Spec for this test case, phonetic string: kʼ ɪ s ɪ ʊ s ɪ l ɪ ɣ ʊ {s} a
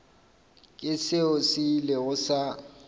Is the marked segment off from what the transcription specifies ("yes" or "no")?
no